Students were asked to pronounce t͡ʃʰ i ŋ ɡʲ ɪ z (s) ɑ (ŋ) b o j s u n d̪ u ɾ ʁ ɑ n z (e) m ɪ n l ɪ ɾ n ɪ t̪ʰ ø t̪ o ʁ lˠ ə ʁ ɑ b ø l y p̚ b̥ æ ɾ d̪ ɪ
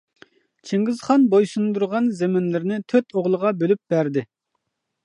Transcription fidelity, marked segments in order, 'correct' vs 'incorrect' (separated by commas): incorrect, incorrect, correct